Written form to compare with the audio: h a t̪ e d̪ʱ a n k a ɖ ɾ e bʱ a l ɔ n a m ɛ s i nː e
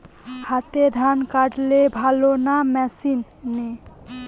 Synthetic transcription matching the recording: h a t̪ e d̪ʱ a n k a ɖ l e bʱ a l o n a m ɛ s i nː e